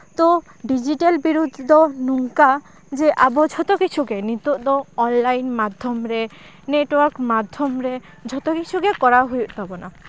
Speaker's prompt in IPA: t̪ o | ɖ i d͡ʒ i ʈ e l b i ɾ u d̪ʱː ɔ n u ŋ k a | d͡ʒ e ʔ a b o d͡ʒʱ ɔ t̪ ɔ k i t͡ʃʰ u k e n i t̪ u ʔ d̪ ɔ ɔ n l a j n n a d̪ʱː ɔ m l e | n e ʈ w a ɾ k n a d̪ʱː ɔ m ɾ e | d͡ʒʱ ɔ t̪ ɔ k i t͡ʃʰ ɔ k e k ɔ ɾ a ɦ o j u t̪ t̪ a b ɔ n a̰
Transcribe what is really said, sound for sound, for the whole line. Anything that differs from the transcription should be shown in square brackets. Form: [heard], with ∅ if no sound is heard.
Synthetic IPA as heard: t̪ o | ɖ i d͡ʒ i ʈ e l b i ɾ u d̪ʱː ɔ n u ŋ k a | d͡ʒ e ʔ a b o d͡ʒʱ ɔ t̪ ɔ k i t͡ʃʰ u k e n i t̪ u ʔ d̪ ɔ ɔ n l a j n [m] a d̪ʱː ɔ m [ɾ] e | n e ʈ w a ɾ k [m] a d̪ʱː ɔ m ɾ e | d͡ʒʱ ɔ t̪ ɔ k i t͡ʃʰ [u] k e k ɔ ɾ a ɦ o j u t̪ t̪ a b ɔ n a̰